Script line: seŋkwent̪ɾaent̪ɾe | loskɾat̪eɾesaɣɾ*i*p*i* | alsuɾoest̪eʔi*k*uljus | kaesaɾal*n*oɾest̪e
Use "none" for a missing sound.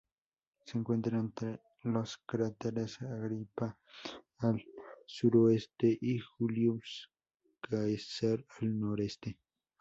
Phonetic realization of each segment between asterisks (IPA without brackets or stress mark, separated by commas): i, a, x, n